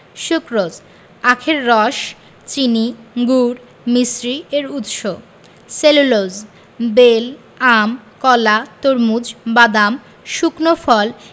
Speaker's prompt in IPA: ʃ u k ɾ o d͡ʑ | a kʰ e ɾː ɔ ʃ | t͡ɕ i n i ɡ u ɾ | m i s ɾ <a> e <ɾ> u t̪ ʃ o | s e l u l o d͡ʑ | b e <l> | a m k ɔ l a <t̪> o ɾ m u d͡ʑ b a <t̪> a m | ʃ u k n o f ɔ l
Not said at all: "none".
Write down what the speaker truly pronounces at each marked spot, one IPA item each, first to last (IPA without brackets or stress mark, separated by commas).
i, ɾ, l, t̪, d̪